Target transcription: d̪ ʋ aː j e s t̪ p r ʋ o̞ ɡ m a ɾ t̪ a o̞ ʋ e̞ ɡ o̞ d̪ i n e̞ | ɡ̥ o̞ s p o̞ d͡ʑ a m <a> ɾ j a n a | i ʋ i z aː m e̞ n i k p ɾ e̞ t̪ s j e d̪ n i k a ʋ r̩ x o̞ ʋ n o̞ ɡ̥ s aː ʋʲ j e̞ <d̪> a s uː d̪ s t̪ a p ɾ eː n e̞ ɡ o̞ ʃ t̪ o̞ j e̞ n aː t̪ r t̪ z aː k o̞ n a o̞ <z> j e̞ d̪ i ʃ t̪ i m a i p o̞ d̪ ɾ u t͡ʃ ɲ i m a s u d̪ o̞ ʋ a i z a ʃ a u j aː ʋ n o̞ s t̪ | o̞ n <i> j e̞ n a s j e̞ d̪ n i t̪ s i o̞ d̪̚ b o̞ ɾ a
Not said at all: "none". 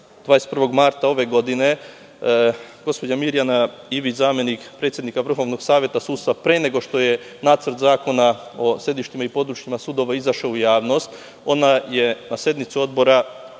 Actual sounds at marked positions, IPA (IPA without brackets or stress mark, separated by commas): i, t̪, s, a